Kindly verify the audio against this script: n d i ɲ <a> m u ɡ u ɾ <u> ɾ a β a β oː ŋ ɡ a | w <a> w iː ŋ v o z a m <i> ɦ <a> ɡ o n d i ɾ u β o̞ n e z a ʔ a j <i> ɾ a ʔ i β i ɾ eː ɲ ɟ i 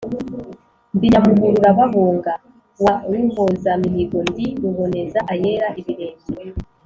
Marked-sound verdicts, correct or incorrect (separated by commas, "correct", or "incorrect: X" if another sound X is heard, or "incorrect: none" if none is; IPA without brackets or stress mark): correct, correct, correct, correct, incorrect: i, incorrect: e